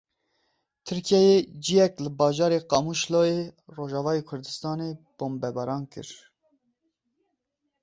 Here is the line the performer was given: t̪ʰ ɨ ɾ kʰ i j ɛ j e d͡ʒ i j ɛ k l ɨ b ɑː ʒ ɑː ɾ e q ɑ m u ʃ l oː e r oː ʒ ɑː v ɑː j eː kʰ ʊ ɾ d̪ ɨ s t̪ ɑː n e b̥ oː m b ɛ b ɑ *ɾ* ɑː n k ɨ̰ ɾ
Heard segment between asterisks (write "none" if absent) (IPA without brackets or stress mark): ɾ